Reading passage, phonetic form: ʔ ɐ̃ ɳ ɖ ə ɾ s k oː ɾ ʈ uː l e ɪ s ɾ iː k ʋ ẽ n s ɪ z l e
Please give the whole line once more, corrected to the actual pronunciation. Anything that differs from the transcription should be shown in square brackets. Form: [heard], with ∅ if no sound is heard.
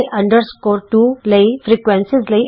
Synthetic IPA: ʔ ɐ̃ ɳ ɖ ə ɾ s k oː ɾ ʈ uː l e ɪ [f] ɾ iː k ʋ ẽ n s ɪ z l e